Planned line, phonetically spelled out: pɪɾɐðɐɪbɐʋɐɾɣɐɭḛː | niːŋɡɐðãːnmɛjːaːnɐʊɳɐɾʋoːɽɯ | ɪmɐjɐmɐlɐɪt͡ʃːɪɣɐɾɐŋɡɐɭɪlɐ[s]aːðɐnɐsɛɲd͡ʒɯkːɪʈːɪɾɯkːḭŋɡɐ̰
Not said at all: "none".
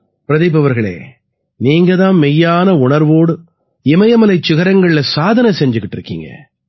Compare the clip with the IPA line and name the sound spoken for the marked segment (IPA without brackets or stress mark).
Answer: s